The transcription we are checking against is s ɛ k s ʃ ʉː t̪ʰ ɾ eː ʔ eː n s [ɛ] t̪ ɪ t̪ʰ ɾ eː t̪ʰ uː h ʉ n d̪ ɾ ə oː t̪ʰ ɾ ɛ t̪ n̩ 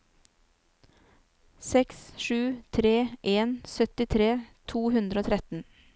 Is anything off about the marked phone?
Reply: yes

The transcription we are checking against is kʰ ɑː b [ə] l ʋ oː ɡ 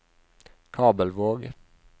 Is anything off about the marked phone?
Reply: no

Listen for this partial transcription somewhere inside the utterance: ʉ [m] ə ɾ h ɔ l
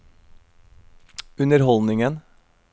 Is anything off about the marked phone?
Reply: yes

